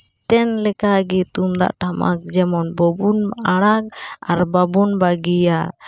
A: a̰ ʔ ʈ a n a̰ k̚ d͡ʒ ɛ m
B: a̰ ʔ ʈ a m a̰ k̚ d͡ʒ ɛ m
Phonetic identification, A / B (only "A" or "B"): B